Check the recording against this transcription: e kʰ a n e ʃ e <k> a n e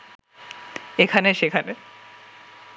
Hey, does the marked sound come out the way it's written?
no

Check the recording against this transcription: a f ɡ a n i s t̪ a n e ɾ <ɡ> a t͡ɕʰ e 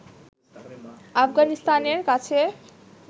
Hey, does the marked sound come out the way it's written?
no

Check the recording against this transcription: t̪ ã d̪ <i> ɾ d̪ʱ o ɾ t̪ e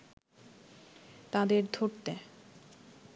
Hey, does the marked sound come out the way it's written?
no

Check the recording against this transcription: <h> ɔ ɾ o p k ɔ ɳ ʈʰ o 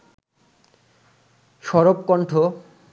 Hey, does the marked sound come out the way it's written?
no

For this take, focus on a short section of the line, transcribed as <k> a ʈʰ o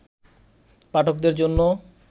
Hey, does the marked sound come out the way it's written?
no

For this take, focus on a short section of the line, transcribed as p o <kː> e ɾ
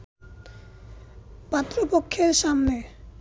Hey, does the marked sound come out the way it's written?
no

